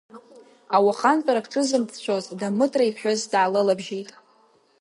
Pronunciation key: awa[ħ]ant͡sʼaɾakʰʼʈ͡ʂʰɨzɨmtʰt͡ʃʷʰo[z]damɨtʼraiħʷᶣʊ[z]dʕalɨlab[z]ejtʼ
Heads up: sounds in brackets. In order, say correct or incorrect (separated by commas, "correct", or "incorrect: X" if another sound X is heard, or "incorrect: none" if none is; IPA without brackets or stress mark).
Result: incorrect: χ, correct, correct, incorrect: ʒ